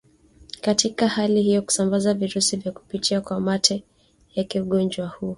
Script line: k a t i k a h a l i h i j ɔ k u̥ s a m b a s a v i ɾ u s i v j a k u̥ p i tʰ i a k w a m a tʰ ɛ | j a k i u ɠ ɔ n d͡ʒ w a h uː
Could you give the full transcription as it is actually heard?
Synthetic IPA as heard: k a t i k a h a l i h i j ɔ k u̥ s a m b a z a v i ɾ u s i v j a k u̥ p i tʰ i a k w a m a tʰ ɛ | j a k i u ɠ ɔ n d͡ʒ w a h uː